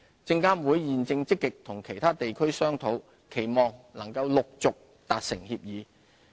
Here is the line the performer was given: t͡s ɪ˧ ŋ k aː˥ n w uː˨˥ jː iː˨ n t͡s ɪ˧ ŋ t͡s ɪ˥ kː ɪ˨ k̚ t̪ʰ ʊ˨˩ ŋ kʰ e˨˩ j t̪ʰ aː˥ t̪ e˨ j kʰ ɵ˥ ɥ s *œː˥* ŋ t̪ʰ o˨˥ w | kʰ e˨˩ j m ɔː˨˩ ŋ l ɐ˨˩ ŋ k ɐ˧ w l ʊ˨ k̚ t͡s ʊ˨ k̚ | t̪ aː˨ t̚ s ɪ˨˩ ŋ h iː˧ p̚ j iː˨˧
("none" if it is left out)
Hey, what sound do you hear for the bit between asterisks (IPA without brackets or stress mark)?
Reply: œː˥